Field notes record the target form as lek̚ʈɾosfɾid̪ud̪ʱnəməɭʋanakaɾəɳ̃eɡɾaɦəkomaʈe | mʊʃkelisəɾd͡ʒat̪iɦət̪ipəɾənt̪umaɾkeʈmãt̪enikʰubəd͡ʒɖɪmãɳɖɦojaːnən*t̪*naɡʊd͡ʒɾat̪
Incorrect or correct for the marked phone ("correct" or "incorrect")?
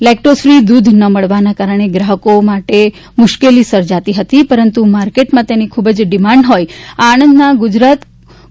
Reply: incorrect